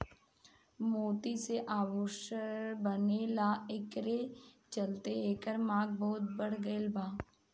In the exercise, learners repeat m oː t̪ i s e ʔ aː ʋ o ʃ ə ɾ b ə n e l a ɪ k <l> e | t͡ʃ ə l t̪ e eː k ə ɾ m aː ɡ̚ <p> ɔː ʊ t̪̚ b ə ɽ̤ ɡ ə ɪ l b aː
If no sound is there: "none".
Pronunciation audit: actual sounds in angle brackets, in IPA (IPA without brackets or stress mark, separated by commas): ɾ, b